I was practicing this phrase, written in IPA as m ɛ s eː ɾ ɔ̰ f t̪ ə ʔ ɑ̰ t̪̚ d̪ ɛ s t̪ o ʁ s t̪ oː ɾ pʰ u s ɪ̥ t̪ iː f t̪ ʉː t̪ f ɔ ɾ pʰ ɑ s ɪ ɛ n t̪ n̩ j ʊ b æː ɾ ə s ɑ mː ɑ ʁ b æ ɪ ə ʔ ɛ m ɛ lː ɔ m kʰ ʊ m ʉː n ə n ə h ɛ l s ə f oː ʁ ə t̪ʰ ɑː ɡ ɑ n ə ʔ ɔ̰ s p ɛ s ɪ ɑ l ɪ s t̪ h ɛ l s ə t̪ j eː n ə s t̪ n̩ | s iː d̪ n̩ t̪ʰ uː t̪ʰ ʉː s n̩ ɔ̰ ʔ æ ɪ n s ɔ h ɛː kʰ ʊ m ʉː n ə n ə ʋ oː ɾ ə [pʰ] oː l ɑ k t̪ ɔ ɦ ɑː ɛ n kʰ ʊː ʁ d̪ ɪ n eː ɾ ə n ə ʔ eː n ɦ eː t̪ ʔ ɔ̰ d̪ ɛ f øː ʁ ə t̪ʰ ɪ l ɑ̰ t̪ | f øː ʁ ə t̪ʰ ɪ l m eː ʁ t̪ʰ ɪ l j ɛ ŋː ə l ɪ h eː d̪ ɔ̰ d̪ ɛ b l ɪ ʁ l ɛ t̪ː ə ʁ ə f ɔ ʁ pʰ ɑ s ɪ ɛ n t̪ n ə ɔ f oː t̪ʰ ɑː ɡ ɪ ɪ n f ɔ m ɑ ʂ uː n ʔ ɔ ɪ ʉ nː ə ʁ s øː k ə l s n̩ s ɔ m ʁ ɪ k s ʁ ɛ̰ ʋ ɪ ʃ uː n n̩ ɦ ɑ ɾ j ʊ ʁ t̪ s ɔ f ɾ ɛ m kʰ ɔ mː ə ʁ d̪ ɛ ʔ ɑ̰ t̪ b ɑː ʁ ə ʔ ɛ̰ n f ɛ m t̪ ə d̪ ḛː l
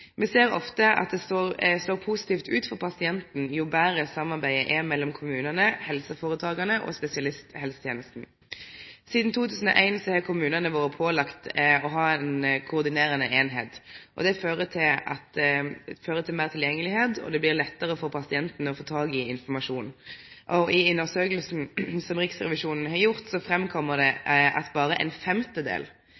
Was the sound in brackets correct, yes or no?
yes